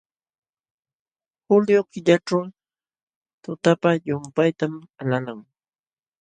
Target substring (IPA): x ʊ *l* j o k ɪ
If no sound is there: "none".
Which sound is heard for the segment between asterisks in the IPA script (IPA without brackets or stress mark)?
l